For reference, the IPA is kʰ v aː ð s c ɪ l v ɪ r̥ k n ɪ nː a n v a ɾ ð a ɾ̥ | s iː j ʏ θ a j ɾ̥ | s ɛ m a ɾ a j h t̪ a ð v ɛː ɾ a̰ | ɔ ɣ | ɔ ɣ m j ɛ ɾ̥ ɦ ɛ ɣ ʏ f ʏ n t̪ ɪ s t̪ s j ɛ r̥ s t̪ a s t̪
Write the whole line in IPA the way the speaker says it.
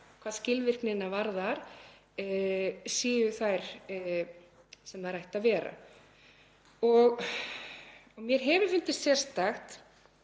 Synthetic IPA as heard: kʰ v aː ð s c ɪ l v ɪ r̥ k n ɪ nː a v a ɾ ð a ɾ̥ | s iː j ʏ θ a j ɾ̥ | s ɛ m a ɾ a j h t̪ a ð v ɛː ɾ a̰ | ɔ ɣ | ɔ ɣ m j ɛ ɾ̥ ɦ ɛ v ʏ f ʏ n t̪ ɪ s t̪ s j ɛ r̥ s t̪ a x t̪